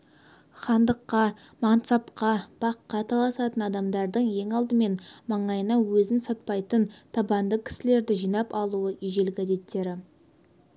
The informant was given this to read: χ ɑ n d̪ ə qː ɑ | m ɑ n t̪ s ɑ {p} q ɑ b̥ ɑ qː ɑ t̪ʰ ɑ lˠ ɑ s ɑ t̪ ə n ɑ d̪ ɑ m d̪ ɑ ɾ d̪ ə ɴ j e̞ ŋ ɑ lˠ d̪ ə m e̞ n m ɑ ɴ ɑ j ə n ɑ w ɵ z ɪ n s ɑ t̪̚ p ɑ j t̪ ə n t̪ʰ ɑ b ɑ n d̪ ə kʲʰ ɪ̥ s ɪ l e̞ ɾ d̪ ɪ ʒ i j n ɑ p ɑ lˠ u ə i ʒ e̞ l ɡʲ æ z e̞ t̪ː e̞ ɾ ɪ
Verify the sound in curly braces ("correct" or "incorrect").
correct